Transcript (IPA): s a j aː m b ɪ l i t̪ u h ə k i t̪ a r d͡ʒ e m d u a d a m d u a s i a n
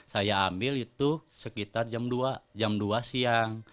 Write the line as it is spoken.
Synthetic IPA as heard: s a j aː m b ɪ l i t̪ u s ə k i t̪ a r d͡ʒ a m d u a d͡ʒ a m d u a s i a ŋ